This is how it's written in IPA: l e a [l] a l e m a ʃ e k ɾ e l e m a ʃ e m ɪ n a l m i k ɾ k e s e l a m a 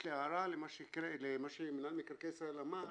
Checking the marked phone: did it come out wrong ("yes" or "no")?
yes